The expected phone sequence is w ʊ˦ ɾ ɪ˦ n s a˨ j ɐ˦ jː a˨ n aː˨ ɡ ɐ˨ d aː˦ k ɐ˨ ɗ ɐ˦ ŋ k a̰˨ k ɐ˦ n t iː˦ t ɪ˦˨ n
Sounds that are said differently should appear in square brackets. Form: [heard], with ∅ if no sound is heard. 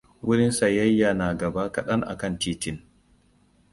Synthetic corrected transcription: w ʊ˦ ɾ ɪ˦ n s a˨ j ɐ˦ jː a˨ n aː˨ ɡ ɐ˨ [b] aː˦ k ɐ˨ ɗ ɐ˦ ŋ [ʔ] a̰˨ k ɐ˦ n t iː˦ t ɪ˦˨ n